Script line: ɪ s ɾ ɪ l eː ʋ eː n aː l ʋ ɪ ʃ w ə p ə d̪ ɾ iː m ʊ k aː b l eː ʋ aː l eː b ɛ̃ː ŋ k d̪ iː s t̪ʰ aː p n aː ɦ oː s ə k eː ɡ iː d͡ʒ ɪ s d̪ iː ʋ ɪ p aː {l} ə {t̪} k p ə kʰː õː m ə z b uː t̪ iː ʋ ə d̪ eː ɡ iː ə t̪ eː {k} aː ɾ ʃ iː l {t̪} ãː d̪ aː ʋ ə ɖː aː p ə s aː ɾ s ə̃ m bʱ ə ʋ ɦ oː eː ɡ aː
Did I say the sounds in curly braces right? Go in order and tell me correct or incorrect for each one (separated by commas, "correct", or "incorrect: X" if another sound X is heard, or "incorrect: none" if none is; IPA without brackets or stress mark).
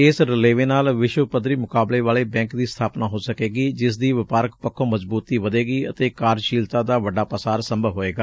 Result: incorrect: ɾ, incorrect: none, correct, correct